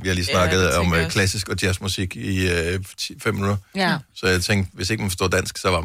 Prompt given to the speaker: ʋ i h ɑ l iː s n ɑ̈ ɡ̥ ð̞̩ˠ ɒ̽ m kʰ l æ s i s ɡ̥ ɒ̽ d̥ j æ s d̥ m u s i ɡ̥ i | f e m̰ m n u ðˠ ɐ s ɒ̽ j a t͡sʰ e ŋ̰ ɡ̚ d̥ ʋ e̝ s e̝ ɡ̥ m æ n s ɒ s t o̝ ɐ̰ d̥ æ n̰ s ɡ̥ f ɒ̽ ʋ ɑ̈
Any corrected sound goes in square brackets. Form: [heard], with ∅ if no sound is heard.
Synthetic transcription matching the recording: ʋ i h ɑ l iː s n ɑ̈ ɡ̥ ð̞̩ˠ ɒ̽ m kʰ l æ s i s ɡ̥ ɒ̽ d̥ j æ s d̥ m u s i ɡ̥ i | f e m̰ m n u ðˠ ɐ s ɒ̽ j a t͡sʰ e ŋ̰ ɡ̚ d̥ ʋ e̝ s e̝ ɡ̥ m æ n [f] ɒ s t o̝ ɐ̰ d̥ æ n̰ s ɡ̥ [s] ɒ̽ ʋ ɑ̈